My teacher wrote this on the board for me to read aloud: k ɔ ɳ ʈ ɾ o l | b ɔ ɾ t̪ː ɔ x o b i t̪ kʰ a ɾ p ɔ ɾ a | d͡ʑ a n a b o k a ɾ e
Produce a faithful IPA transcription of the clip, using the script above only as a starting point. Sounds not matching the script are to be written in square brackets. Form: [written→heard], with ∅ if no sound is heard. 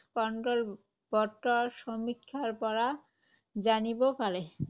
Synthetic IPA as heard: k ɔ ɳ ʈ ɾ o l | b ɔ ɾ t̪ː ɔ [x→ʃ] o [b→m] i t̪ kʰ a ɾ p ɔ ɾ a | d͡ʑ a n [a→i] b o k a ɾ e